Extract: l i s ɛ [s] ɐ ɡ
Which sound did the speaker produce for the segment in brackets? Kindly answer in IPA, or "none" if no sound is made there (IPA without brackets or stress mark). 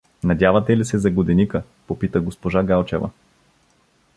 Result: z